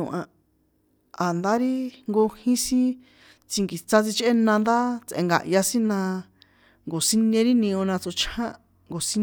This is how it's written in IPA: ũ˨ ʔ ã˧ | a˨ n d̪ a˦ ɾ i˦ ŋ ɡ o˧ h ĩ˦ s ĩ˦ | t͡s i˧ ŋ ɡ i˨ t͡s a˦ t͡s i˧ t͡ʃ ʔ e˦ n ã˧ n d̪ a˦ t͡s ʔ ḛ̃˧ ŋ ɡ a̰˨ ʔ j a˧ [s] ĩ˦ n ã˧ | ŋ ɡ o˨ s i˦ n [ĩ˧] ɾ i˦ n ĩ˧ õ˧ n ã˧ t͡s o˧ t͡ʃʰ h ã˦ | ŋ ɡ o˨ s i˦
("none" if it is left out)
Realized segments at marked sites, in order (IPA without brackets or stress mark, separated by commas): s, ẽ˧